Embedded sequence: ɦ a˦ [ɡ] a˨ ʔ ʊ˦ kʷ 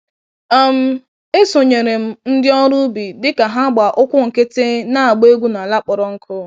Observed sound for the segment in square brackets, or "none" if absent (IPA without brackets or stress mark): ɡ͡b